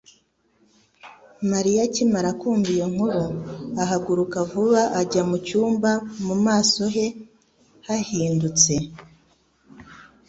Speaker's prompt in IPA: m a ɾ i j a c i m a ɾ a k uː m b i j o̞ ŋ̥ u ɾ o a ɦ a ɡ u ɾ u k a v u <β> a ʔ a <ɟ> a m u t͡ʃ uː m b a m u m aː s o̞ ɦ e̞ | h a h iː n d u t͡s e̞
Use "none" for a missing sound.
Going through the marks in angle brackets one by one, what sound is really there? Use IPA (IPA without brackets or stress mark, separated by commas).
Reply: β, ɟ